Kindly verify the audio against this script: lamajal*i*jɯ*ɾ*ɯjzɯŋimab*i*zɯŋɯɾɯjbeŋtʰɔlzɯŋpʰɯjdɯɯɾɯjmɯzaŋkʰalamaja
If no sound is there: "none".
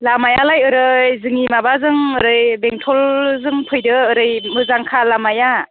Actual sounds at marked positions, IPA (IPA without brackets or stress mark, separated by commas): a, ɾ, a